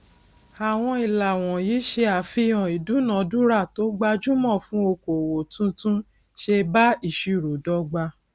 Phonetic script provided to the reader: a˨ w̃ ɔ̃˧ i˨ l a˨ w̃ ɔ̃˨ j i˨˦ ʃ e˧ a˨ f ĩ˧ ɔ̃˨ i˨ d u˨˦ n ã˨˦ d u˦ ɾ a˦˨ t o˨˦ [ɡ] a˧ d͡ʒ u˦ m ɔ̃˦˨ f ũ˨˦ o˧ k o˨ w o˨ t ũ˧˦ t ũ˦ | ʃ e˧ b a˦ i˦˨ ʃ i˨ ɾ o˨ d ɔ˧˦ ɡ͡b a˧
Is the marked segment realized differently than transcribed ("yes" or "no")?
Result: yes